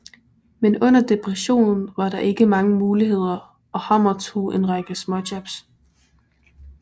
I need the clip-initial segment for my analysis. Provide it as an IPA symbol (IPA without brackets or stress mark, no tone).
m